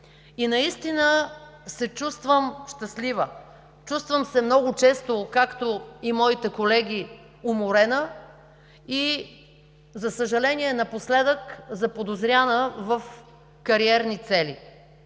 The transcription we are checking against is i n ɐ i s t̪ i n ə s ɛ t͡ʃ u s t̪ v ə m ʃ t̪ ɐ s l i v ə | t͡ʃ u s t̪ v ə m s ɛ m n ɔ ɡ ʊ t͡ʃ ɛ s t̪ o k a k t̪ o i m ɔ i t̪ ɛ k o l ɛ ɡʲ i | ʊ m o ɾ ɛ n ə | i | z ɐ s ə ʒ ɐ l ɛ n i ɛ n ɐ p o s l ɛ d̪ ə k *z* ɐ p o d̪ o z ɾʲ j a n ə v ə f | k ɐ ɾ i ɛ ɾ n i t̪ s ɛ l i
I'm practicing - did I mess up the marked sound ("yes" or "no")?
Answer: no